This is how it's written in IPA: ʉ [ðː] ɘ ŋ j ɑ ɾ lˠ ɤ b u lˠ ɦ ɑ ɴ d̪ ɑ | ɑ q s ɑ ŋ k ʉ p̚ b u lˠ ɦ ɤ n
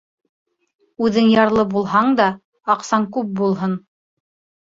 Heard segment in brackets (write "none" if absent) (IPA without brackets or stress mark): ð